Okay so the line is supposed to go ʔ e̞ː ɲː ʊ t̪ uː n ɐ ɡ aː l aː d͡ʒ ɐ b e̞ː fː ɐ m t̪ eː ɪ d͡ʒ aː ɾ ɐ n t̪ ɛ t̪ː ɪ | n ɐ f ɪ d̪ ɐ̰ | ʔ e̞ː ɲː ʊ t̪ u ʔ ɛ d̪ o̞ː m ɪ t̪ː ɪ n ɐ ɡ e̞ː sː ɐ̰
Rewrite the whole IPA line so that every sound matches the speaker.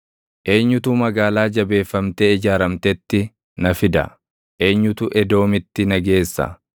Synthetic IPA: ʔ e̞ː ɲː ʊ t̪ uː m ɐ ɡ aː l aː d͡ʒ ɐ b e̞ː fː ɐ m t̪ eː ɪ d͡ʒ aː ɾ ɐ m t̪ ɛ t̪ː ɪ | n ɐ f ɪ d̪ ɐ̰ | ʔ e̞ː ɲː ʊ t̪ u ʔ ɛ d̪ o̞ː m ɪ t̪ː ɪ n ɐ ɡ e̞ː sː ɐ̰